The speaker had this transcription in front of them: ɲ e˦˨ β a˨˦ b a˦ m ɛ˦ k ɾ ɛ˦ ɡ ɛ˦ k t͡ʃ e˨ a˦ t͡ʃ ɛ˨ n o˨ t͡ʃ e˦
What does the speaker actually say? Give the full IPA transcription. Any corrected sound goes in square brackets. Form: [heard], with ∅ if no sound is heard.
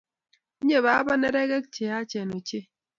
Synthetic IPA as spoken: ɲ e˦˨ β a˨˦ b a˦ [n] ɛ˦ [∅] ɾ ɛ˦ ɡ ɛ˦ k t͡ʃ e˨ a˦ t͡ʃ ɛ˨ n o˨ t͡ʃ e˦